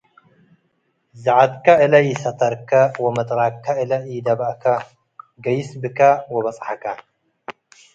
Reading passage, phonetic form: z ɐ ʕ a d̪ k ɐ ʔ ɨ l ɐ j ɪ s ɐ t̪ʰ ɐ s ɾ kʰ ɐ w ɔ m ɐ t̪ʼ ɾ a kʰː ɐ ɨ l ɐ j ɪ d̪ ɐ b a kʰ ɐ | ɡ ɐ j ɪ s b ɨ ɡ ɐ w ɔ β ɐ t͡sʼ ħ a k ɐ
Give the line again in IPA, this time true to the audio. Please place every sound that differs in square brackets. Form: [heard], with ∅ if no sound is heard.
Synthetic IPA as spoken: z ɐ ʕ a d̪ k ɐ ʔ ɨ l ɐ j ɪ s ɐ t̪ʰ ɐ [∅] ɾ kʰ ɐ w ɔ m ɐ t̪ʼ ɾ a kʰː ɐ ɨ l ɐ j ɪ d̪ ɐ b a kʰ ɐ | ɡ ɐ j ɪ s b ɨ [k] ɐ w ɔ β ɐ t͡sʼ ħ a k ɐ